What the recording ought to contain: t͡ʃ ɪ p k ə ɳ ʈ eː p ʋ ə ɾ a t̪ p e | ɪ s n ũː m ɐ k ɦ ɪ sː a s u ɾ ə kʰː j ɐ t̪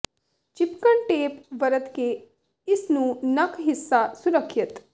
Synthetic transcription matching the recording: t͡ʃ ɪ p k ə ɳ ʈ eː p ʋ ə ɾ ə t̪ k e | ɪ s n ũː n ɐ k ɦ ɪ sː a s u ɾ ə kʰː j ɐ t̪